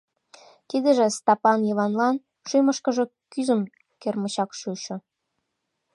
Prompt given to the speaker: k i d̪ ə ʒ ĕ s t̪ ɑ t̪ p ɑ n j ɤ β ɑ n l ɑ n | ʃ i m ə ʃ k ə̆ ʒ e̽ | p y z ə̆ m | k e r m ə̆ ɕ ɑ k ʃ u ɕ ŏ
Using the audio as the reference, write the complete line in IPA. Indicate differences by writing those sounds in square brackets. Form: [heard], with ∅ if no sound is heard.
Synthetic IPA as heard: k i d̪ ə ʒ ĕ s t̪ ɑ [∅] p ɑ n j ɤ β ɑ n l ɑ n | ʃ [y] m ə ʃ k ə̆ ʒ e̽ | [k] y z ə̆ m | k e r m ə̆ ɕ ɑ k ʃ u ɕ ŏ